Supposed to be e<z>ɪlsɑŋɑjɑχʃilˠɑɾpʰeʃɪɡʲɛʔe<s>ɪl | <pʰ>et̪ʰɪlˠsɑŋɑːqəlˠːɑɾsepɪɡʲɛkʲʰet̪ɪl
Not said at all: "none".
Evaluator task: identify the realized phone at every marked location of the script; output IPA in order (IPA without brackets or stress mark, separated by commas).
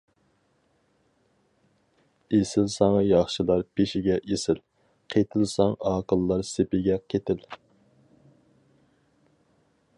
s, s, qʰ